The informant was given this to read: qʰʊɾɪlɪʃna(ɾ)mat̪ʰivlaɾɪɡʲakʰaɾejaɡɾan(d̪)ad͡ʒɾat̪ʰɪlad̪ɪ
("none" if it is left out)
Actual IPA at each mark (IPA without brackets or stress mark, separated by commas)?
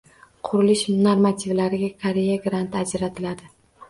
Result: ɾ, t̪